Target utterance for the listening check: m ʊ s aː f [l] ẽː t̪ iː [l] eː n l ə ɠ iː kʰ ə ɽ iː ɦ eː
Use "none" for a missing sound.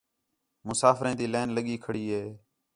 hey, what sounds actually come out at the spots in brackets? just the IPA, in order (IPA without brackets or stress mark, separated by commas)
ɾ, l